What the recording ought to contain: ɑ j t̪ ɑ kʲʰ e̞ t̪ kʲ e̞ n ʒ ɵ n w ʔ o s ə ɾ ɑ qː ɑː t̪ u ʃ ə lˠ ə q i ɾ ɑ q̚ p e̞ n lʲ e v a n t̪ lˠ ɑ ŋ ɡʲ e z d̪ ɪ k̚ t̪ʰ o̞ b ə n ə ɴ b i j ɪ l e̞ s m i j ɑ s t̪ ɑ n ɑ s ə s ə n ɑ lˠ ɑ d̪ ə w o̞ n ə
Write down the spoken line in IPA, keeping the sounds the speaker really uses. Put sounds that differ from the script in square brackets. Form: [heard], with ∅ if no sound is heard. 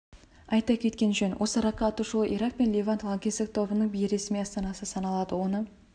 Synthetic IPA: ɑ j t̪ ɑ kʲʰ e̞ t̪ kʲ e̞ n ʒ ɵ n w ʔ o s ə ɾ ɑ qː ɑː t̪ u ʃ ə lˠ ə [ʔ] i ɾ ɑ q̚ p e̞ n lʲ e v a n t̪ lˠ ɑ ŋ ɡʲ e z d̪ ɪ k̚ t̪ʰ o̞ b ə n ə ɴ b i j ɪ [ɾ] e̞ s m i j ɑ s t̪ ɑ n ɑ s ə s [ɑ] n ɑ lˠ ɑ d̪ ə w o̞ n ə